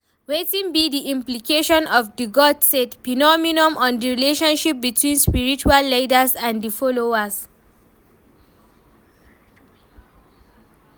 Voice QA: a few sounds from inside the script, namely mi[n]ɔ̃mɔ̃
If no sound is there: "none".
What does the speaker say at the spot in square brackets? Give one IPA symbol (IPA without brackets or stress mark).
n